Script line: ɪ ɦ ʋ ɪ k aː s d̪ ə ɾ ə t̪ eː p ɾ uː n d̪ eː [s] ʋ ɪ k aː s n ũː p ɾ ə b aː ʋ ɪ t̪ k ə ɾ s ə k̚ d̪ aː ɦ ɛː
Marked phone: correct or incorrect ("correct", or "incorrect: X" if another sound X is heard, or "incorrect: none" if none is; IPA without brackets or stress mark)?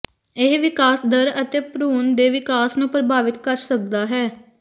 incorrect: none